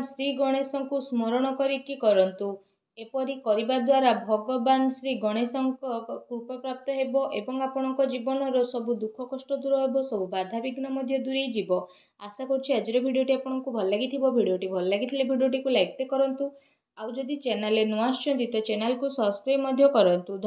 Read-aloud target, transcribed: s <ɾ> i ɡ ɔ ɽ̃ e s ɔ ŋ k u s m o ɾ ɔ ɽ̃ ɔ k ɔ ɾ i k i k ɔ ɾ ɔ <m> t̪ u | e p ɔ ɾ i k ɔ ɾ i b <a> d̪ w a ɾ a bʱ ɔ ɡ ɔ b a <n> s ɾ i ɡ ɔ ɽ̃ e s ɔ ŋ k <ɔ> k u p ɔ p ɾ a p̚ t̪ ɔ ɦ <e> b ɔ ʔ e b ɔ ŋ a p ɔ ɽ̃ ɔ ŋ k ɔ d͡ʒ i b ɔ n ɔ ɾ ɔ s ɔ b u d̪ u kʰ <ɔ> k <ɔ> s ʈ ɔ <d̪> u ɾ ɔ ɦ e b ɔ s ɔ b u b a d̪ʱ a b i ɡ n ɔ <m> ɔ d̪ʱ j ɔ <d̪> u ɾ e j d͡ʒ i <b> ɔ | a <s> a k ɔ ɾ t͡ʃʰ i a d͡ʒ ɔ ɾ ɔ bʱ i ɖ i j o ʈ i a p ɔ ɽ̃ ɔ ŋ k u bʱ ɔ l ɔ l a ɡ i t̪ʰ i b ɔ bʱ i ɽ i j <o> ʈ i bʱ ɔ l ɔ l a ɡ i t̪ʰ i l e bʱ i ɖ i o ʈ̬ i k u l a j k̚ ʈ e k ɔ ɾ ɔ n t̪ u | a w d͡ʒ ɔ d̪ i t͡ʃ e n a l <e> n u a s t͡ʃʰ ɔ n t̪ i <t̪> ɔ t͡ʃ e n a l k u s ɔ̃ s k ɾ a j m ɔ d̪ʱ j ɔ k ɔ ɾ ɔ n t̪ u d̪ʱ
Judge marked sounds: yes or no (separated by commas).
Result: yes, no, yes, yes, yes, yes, yes, yes, yes, yes, yes, yes, yes, yes, yes, yes